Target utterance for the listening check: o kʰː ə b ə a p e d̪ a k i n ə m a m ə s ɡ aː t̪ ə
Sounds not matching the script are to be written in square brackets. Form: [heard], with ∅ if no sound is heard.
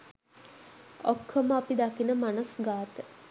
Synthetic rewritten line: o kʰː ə [m] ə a p [i] d̪ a k i n ə m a [n] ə s ɡ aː t̪ ə

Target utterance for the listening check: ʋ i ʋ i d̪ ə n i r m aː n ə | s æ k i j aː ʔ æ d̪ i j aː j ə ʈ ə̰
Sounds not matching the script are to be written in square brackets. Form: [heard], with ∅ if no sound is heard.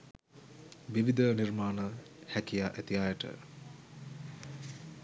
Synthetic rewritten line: ʋ i ʋ i d̪ ə n i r m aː n ə | [h] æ k i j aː ʔ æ [t̪] i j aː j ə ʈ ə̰

